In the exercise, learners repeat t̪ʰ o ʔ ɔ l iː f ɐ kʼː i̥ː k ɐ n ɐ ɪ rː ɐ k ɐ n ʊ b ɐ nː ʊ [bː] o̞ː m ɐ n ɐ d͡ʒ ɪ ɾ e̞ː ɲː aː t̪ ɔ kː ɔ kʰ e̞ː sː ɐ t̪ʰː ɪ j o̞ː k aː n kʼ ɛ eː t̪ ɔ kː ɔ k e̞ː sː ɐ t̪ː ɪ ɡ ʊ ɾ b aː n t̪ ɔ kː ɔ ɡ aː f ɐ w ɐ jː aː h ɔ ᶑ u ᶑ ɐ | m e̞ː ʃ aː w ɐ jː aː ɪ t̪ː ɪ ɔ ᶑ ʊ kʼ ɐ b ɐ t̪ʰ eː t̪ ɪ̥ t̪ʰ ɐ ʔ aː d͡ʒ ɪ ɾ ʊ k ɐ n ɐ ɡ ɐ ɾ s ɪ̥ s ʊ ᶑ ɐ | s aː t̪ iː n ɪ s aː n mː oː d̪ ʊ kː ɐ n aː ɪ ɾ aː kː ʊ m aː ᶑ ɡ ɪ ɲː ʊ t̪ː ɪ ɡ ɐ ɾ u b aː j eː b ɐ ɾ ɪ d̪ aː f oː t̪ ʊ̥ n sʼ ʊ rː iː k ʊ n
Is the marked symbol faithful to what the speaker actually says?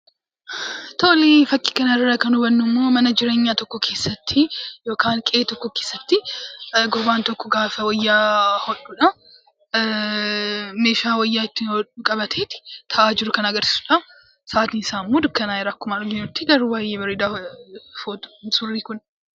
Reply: no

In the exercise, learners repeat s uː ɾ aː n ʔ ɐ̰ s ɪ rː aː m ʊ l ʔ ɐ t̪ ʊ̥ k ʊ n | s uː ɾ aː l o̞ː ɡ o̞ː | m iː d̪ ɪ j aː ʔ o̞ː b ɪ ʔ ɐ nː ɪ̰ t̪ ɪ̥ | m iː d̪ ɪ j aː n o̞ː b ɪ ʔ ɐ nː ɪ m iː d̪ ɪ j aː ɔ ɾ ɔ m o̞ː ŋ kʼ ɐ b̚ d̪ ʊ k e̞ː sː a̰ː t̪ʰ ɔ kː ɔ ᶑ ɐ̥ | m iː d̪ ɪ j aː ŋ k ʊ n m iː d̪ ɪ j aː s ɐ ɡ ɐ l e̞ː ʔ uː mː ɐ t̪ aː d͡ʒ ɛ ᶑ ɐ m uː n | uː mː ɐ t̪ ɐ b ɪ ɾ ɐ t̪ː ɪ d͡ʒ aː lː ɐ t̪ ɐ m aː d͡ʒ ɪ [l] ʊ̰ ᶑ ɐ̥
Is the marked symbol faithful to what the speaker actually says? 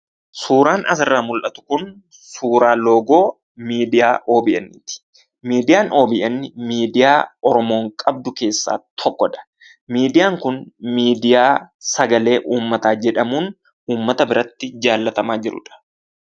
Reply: no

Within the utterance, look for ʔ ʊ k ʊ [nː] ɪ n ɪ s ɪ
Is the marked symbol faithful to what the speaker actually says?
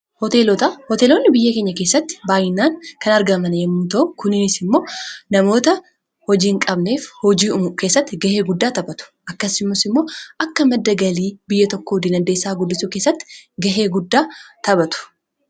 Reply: no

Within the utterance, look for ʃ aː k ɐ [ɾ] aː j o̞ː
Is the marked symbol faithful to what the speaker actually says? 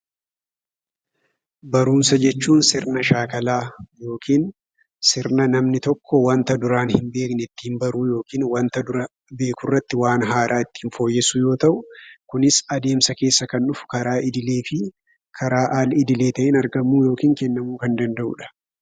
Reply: no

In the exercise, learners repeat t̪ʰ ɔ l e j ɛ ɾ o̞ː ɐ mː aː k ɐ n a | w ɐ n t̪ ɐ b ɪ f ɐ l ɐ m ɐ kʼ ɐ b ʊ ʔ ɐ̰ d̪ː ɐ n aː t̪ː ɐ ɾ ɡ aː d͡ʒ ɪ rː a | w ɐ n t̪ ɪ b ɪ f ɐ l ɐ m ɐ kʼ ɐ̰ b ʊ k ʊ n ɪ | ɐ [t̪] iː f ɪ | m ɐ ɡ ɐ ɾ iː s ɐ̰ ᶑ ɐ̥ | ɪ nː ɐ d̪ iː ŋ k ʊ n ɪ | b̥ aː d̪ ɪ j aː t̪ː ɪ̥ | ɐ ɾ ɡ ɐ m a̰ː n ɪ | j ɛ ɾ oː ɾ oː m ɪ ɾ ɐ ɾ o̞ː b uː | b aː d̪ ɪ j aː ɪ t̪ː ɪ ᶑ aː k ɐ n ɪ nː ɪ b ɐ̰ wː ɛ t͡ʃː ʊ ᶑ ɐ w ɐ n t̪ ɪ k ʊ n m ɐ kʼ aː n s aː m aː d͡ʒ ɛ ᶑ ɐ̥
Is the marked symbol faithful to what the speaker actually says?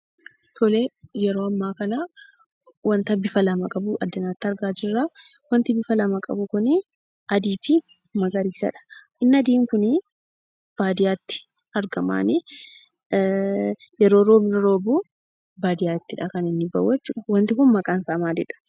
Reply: no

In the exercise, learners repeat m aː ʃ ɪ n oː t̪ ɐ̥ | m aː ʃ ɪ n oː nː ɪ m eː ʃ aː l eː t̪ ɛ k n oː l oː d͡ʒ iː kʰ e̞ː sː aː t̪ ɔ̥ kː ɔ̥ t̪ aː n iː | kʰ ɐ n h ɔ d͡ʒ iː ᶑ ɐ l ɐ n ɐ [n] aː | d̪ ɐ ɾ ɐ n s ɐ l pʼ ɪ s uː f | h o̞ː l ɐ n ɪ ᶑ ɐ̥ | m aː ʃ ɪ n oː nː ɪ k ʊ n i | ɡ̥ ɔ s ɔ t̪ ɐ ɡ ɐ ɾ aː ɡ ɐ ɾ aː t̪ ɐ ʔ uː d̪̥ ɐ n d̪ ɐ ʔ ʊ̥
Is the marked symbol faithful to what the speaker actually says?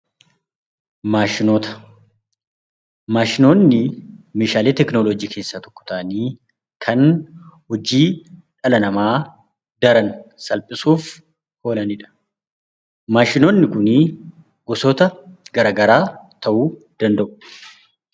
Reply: no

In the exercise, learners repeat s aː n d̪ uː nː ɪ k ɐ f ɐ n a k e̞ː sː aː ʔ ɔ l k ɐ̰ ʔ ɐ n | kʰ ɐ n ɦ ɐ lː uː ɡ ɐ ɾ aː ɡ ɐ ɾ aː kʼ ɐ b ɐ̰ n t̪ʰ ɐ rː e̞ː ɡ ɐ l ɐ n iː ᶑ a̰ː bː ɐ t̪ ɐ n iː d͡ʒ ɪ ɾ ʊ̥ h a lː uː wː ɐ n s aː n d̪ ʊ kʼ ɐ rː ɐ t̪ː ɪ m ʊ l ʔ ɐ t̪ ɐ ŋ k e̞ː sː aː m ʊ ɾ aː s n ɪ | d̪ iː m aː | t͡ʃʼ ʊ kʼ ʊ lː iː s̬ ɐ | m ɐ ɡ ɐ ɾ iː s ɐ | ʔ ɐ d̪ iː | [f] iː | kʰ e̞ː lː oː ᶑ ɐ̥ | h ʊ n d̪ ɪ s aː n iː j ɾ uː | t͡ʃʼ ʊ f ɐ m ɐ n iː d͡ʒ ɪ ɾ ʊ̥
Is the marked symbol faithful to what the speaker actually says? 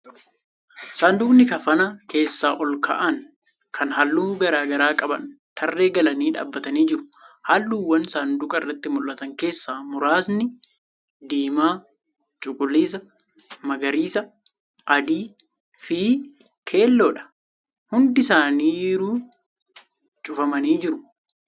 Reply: yes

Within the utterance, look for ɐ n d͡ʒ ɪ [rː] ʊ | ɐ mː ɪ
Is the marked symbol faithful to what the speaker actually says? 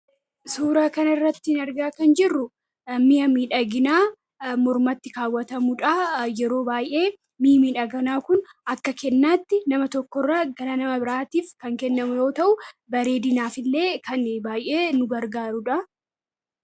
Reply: yes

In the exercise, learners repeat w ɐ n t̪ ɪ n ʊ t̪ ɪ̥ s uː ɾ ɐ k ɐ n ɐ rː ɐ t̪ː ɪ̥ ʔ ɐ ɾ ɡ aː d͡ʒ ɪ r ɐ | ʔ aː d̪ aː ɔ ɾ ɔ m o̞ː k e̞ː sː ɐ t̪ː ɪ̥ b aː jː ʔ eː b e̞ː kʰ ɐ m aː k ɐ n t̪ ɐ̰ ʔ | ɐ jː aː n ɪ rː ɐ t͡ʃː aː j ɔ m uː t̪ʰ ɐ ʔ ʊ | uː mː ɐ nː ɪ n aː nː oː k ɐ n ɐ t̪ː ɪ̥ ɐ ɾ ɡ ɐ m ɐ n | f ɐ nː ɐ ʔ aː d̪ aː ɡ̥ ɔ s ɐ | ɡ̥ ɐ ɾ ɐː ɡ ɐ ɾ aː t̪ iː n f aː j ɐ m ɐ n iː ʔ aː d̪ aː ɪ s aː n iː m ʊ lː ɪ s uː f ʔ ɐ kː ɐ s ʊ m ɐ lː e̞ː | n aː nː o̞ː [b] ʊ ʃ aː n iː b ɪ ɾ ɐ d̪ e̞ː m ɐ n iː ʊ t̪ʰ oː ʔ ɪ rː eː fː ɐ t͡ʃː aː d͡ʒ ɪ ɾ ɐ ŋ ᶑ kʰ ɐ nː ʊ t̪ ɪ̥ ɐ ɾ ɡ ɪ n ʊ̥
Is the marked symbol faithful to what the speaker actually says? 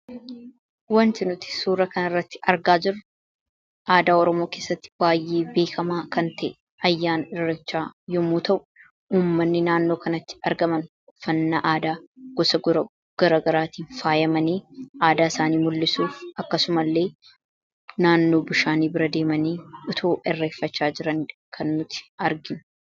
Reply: yes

